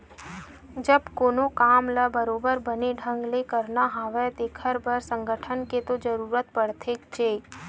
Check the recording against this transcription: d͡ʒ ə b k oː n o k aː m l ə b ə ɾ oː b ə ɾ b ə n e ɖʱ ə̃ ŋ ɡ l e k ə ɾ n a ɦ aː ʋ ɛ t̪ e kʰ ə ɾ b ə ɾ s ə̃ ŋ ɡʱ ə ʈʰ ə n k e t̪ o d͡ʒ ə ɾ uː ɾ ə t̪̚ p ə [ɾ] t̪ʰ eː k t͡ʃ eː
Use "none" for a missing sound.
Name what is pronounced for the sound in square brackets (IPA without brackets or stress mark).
ɽ